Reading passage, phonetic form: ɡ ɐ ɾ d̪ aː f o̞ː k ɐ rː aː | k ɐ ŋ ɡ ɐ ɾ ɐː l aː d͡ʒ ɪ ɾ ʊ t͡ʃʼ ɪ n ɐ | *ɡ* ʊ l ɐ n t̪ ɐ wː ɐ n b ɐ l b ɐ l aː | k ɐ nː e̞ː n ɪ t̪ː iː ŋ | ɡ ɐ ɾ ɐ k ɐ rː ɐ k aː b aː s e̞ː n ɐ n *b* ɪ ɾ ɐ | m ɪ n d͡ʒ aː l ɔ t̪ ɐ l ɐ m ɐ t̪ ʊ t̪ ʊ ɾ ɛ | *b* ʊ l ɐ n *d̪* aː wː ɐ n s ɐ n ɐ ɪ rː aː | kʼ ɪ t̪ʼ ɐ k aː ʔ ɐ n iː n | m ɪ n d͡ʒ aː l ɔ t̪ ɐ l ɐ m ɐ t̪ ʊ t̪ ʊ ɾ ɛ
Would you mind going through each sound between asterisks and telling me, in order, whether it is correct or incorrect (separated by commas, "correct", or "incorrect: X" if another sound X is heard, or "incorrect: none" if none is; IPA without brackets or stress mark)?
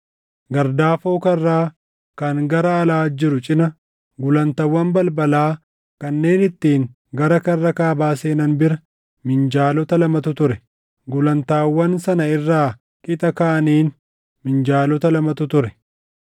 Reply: correct, correct, incorrect: ɡ, incorrect: t̪